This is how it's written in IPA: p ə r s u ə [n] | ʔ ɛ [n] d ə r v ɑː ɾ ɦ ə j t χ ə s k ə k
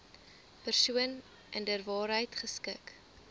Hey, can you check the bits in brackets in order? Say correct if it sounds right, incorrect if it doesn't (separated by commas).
correct, correct